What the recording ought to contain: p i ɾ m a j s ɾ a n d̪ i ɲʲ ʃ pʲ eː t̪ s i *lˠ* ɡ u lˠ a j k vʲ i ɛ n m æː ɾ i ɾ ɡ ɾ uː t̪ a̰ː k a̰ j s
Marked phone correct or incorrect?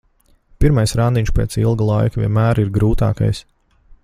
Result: correct